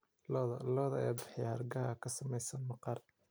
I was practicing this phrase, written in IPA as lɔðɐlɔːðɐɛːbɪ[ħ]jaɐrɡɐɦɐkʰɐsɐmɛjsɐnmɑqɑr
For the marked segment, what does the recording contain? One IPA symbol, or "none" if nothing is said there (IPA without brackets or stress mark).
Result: ħ